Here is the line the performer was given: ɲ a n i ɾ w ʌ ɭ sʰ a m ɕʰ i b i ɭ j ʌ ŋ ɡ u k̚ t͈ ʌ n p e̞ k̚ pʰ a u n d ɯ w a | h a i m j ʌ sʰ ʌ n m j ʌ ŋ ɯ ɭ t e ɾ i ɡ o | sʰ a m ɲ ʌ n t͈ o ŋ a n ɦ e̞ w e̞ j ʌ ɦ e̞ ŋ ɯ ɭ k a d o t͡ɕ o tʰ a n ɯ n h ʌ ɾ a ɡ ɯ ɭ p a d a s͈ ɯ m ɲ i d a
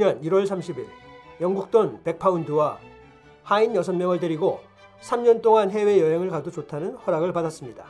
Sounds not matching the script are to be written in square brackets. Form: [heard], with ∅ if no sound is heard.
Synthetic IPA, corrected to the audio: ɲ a n i ɾ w ʌ ɭ sʰ a m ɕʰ i b i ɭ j ʌ ŋ ɡ u k̚ t͈ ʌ n p e̞ k̚ pʰ a u n d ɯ w a | h a i [n] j ʌ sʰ ʌ n m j ʌ ŋ ɯ ɭ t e ɾ i ɡ o | sʰ a m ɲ ʌ n t͈ o ŋ a n ɦ e̞ w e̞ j ʌ ɦ e̞ ŋ ɯ ɭ k a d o t͡ɕ o tʰ a n ɯ n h ʌ ɾ a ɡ ɯ ɭ p a d a s͈ ɯ m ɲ i d a